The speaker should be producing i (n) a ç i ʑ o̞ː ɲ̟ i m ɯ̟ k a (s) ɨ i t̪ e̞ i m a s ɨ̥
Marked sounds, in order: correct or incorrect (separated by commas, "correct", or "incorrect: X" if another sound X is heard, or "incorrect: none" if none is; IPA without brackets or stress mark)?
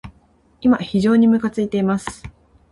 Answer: incorrect: m, incorrect: t͡s